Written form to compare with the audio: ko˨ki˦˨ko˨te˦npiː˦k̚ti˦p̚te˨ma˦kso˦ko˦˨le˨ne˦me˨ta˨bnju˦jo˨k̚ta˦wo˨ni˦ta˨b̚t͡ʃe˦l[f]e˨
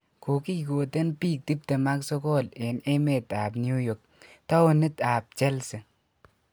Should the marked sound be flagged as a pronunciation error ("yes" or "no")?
yes